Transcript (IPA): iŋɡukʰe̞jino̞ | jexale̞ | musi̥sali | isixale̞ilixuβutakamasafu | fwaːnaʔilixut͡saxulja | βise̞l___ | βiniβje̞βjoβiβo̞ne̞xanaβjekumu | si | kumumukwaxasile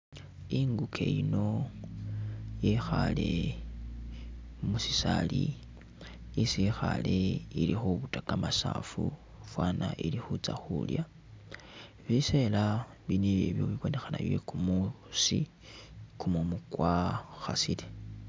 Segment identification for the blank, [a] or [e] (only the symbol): a